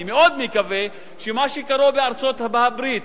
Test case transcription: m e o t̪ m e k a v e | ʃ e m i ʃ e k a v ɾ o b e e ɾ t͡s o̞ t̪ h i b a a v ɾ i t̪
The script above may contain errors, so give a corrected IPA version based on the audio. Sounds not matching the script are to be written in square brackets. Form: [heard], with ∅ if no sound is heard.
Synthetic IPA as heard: m e o [d̪] m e k a v e | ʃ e m [a] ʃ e k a [∅] ɾ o b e [a] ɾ t͡s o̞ t̪ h [a] b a a [b] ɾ i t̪